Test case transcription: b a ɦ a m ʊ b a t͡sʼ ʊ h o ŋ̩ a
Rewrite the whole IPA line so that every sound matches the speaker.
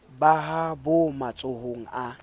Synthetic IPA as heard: b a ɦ a b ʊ m a t͡sʼ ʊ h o ŋ̩ a